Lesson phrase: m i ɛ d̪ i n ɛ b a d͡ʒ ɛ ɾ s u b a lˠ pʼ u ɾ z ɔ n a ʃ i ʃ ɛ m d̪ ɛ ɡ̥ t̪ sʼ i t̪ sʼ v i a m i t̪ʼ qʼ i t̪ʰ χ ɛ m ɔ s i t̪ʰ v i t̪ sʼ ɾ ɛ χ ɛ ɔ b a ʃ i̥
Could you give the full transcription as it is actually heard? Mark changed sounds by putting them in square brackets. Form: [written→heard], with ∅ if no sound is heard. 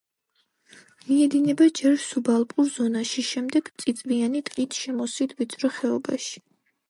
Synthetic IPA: m i ɛ d̪ i n ɛ b a d͡ʒ ɛ ɾ s u b a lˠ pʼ u ɾ z ɔ n a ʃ i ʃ ɛ m d̪ ɛ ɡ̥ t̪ sʼ i t̪ sʼ v i a [m→n] i t̪ʼ qʼ i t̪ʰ [χ→ʃ] ɛ m ɔ s i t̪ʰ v i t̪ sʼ ɾ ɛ χ ɛ ɔ b a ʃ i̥